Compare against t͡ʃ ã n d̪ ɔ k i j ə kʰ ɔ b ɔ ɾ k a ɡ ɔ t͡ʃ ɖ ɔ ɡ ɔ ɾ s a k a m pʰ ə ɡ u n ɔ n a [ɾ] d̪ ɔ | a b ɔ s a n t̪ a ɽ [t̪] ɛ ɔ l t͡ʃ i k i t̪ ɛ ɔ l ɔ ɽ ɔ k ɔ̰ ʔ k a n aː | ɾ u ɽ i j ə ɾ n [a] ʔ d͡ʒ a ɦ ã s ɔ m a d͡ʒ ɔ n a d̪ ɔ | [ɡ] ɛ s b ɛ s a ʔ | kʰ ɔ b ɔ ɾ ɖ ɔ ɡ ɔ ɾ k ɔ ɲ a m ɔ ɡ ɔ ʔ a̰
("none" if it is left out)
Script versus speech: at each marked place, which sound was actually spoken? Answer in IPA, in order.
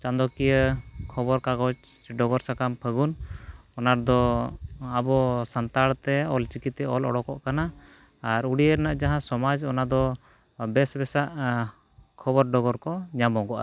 ɾ, t̪, a, b

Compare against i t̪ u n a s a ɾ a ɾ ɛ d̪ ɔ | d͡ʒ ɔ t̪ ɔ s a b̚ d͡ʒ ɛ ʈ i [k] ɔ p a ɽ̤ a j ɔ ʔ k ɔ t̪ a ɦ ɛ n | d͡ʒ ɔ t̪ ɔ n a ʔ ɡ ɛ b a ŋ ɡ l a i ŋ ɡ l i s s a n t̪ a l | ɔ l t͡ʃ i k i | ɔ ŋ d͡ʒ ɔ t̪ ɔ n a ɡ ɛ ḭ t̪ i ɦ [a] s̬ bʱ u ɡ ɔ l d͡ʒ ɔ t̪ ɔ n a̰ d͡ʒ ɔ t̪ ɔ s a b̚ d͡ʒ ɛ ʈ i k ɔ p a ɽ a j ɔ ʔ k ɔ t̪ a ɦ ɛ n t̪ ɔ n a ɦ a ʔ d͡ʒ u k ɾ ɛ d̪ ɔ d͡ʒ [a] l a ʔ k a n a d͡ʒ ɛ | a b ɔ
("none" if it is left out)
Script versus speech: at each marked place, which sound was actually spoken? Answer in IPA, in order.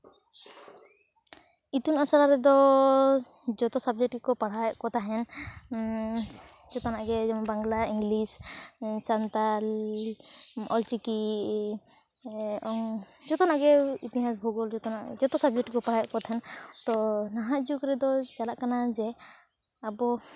k, a, a

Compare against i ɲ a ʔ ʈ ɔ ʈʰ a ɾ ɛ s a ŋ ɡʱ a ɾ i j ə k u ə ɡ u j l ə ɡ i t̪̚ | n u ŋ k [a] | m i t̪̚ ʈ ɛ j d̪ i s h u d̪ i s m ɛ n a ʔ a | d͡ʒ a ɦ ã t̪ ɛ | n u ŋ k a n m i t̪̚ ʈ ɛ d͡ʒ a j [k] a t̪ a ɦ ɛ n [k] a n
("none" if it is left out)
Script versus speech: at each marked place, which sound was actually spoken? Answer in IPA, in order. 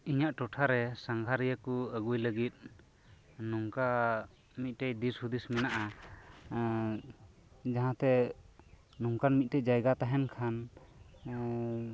a, ɡ, kʰ

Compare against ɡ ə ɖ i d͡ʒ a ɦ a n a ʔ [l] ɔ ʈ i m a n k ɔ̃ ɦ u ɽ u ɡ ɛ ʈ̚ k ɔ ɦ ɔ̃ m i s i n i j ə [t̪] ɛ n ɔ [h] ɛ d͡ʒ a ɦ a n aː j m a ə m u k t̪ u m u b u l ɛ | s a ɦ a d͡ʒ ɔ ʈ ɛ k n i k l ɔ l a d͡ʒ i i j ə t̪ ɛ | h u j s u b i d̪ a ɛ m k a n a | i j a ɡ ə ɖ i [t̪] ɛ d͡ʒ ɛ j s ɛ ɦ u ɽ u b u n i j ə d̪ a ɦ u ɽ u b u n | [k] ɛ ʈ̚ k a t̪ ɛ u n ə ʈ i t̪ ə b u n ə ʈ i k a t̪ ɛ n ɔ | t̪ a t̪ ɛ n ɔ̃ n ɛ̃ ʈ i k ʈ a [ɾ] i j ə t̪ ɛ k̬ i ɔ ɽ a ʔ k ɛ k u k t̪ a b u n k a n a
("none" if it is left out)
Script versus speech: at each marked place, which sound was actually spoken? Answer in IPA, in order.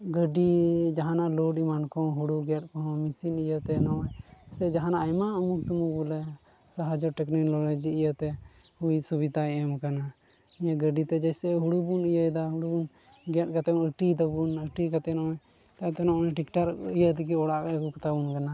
l, t̪, s, t̪, ɡ, ɾ

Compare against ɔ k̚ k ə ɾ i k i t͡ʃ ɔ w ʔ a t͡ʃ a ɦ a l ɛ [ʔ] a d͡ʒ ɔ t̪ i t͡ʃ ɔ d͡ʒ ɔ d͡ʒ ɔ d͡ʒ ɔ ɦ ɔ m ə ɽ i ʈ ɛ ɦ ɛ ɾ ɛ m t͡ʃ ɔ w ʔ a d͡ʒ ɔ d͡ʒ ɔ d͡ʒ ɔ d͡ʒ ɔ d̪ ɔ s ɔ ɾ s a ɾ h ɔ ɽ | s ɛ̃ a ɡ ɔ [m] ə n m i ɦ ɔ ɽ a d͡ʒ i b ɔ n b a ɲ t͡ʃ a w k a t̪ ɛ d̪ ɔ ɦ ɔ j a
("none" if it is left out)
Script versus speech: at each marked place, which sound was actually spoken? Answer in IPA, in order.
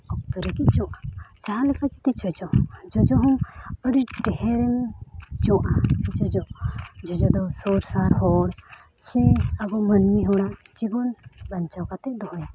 k, m

